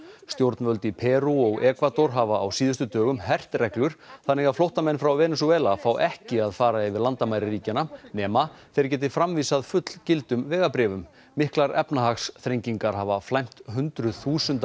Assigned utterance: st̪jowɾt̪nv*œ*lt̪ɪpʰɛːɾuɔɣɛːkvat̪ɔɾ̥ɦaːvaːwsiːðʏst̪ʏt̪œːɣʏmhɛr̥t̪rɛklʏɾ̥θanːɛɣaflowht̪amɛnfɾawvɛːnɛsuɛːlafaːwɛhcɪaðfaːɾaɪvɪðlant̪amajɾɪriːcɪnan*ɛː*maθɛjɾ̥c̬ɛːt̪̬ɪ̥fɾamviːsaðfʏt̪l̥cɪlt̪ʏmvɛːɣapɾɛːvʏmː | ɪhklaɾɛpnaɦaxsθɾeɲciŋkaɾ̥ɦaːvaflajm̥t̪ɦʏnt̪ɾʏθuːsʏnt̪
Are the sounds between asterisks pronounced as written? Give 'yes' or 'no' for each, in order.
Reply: yes, yes

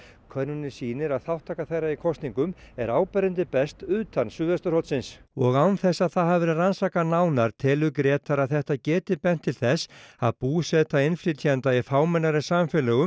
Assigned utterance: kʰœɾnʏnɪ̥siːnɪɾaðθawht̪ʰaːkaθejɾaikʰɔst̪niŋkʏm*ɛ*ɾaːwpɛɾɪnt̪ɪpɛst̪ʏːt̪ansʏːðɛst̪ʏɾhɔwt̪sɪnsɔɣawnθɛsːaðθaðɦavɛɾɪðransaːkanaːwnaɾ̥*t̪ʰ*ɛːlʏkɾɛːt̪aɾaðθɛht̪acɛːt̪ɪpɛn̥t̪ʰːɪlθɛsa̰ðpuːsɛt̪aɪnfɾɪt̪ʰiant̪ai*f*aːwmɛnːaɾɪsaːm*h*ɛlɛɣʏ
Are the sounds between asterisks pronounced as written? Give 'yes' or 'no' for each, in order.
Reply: yes, yes, yes, no

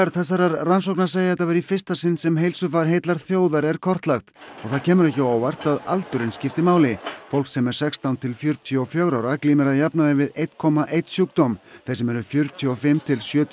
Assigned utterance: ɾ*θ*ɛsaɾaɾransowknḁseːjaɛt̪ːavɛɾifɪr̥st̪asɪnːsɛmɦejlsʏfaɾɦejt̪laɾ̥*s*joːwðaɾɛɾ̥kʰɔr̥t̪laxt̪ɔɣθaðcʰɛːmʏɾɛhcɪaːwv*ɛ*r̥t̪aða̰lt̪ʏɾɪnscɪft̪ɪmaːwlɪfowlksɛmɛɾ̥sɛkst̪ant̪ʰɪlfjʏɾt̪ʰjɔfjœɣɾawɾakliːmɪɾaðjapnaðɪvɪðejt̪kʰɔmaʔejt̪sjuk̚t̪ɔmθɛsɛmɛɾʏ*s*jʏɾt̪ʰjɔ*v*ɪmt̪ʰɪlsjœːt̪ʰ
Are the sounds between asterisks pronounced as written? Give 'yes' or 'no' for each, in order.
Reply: yes, no, no, no, no

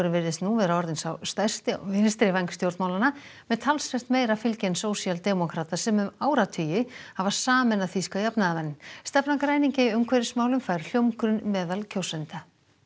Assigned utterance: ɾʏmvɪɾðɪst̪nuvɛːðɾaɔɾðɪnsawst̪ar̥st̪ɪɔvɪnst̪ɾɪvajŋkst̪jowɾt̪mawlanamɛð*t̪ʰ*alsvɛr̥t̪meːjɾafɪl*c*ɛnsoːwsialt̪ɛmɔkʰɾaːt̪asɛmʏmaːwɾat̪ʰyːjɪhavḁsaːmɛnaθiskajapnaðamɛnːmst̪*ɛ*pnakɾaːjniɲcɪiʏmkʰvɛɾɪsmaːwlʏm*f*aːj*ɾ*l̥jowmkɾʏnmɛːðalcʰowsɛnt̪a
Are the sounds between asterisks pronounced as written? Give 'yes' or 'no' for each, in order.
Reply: yes, yes, yes, yes, yes

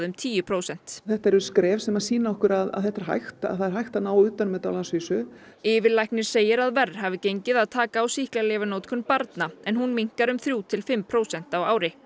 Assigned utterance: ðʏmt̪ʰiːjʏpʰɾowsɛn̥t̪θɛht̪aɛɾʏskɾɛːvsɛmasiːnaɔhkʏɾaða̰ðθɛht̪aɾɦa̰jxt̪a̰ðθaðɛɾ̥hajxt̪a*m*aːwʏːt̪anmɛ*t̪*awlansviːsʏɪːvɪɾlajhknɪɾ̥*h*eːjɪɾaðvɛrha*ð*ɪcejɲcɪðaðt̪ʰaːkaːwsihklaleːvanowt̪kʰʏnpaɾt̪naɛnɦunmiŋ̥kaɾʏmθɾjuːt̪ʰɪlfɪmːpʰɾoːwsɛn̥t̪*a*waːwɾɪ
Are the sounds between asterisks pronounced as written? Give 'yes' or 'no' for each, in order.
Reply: no, yes, no, no, yes

